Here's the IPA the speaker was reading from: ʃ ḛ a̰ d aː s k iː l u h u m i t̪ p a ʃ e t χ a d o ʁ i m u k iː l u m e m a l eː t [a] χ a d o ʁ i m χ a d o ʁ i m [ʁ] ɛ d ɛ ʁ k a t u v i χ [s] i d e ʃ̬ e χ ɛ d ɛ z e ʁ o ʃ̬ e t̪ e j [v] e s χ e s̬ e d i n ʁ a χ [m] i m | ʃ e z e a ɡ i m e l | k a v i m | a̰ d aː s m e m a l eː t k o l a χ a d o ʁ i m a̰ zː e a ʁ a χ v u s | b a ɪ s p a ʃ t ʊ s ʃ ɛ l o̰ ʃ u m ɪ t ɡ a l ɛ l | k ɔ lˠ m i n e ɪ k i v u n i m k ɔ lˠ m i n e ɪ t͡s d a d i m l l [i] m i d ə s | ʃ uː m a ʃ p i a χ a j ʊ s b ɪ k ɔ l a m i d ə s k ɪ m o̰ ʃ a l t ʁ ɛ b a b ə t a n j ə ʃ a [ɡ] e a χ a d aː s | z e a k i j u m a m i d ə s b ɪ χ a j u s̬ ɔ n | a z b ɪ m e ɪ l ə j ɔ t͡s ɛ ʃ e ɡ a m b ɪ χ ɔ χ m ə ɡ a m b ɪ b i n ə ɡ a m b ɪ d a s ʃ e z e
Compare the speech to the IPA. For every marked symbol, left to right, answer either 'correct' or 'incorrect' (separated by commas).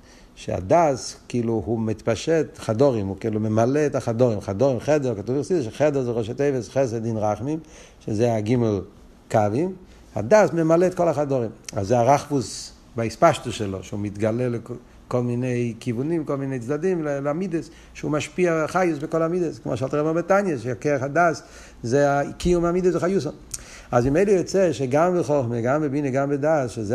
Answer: correct, incorrect, correct, correct, correct, incorrect, incorrect